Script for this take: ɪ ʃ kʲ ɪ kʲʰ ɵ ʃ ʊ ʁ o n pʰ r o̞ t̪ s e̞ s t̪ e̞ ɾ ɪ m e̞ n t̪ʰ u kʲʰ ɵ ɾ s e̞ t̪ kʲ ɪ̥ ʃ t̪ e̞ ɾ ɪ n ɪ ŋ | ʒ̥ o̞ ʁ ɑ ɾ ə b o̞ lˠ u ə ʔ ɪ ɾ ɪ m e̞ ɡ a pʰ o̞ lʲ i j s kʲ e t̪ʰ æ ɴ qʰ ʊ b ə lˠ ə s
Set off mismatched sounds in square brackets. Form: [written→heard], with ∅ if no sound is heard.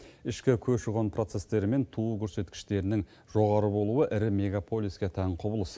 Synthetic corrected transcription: ɪ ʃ kʲ ɪ kʲʰ ɵ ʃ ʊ ʁ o n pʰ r o̞ t̪ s e̞ s t̪ e̞ ɾ ɪ m e̞ n t̪ʰ u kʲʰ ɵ ɾ s e̞ t̪ kʲ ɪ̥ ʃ t̪ e̞ ɾ ɪ n ɪ ŋ | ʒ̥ o̞ ʁ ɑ ɾ ə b o̞ lˠ u ə ʔ ɪ ɾ ɪ m e̞ ɡ a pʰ o̞ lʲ i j s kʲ e t̪ʰ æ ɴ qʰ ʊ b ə lˠ ə s

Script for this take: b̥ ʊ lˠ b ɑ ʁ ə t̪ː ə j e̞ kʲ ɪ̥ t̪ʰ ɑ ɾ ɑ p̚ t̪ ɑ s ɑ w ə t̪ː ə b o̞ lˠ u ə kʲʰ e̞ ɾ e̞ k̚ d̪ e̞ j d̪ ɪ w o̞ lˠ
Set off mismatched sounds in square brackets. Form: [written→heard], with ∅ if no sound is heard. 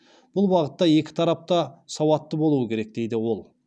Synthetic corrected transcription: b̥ ʊ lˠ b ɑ ʁ ə t̪ː [ə→ɑ] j e̞ kʲ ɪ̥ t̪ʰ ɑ ɾ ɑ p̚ t̪ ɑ s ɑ w [ə→ɑ] t̪ː ə b o̞ lˠ u ə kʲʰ e̞ ɾ e̞ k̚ d̪ e̞ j d̪ ɪ w o̞ lˠ

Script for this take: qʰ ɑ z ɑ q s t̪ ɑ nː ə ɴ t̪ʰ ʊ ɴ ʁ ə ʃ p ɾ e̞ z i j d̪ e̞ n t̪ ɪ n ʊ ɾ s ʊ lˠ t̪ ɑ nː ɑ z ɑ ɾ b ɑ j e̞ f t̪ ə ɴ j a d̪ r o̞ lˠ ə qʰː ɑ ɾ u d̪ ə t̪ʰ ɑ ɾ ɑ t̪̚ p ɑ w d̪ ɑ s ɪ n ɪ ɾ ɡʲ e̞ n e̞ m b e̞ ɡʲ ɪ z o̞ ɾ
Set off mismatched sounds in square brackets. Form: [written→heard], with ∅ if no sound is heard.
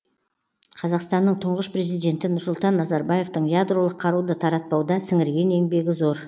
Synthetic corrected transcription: qʰ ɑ z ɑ q s t̪ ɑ nː ə ɴ t̪ʰ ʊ ɴ ʁ ə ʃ p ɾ e̞ z i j d̪ e̞ n t̪ ɪ n ʊ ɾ s ʊ lˠ t̪ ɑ nː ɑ z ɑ ɾ b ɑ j e̞ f t̪ ə ɴ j a d̪ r o̞ lˠ ə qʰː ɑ ɾ u d̪ ə t̪ʰ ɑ ɾ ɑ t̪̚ p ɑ w d̪ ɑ s ɪ [n→ŋ] ɪ ɾ ɡʲ e̞ n e̞ [m→ŋ] b e̞ ɡʲ ɪ z o̞ ɾ

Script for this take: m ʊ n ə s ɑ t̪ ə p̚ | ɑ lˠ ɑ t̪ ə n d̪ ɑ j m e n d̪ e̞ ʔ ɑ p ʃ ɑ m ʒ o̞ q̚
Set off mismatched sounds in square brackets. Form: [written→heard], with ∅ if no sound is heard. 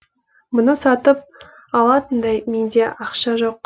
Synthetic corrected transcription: m ʊ n ə s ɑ t̪ ə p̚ | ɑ lˠ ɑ t̪ ə n d̪ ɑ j m e n d̪ e̞ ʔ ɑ [p→q] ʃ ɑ [m→∅] ʒ o̞ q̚

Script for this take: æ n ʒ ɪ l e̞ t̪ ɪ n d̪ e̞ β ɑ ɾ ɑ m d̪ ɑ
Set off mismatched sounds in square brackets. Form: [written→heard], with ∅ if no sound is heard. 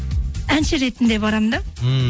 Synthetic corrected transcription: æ n [ʒ→ʃ] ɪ [l→ɾ] e̞ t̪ ɪ n d̪ e̞ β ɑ ɾ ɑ m d̪ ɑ

